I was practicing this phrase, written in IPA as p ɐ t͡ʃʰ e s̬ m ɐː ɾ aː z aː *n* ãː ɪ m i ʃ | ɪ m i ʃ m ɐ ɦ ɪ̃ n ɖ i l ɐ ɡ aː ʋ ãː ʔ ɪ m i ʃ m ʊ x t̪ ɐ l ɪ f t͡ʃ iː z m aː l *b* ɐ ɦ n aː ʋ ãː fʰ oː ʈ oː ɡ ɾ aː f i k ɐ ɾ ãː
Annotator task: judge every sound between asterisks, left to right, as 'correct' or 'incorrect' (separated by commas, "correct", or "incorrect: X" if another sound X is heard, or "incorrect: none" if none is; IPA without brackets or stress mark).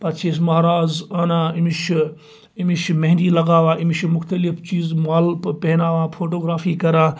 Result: correct, incorrect: p